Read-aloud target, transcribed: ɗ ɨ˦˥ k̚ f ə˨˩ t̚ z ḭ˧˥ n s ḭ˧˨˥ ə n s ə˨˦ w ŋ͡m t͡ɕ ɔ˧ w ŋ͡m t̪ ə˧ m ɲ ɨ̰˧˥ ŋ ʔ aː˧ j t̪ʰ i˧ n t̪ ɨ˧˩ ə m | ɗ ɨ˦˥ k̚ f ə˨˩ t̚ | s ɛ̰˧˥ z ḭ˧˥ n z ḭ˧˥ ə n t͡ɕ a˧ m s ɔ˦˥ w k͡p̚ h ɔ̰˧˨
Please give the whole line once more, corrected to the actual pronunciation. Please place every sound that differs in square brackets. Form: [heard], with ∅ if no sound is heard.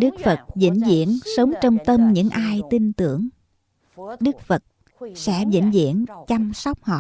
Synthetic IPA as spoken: ɗ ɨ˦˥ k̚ f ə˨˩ t̚ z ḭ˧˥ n [z] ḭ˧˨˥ ə n s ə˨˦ w ŋ͡m t͡ɕ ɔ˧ w ŋ͡m t̪ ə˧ m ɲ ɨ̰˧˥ ŋ ʔ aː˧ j [t̪] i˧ n t̪ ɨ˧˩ ə [ŋ] | ɗ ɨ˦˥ k̚ f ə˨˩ t̚ | s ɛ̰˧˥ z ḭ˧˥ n z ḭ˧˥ ə n t͡ɕ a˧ m s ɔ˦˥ w k͡p̚ h ɔ̰˧˨